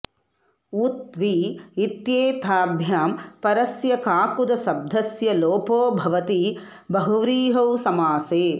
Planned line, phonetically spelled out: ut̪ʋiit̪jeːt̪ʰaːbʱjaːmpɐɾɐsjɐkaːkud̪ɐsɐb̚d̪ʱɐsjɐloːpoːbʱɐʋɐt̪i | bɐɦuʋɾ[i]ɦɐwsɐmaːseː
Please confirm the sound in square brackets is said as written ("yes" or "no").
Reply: no